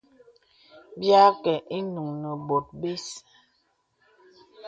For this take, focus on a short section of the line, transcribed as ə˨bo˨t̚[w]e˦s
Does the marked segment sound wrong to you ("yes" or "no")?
yes